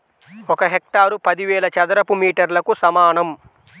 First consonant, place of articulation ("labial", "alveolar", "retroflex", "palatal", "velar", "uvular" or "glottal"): velar